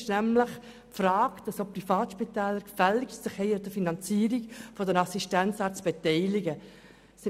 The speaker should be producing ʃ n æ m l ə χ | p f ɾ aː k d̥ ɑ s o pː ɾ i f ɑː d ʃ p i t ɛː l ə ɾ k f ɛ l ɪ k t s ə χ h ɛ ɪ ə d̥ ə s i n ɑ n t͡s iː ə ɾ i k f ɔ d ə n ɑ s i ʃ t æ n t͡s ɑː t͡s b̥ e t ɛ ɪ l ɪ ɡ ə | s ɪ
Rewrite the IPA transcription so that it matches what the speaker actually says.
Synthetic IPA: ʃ n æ m l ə χ | p f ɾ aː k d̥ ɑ s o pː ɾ i f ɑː t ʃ p i t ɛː l ə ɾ k f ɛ l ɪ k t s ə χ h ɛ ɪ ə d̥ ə f i n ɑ n t͡s iː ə ɾ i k f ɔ d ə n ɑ s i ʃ t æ n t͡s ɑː t͡s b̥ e t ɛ ɪ l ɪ ɡ ə | s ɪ